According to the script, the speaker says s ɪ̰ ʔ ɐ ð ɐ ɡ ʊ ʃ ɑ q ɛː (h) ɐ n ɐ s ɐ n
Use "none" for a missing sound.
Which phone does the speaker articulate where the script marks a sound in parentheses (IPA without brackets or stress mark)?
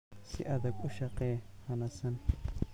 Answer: h